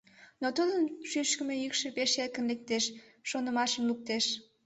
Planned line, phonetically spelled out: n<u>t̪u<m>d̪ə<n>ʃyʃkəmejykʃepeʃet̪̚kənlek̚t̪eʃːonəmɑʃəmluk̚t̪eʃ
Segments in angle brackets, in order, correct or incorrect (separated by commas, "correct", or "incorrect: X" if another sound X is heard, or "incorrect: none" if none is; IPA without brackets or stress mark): incorrect: o, incorrect: none, correct